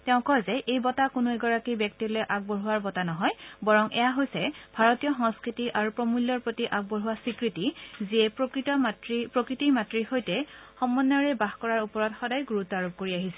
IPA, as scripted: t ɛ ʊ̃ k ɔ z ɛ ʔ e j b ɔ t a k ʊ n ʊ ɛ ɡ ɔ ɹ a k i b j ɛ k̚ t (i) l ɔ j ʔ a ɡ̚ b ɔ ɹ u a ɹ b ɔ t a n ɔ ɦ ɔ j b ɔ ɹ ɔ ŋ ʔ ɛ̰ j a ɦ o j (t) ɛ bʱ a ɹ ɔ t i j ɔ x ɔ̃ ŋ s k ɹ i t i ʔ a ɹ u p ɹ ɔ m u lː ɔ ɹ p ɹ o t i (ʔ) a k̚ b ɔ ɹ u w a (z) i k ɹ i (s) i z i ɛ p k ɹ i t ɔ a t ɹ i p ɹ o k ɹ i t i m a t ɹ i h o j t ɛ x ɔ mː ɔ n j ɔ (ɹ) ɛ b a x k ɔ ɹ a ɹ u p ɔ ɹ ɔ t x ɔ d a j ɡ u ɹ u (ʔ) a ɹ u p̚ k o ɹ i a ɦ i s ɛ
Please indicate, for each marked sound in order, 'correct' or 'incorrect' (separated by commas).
correct, incorrect, correct, incorrect, incorrect, correct, incorrect